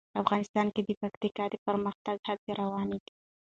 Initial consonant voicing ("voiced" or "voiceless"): voiceless